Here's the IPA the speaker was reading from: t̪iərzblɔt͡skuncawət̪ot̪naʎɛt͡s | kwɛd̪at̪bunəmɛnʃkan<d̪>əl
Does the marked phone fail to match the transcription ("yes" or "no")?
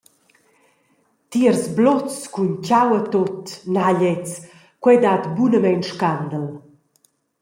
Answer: no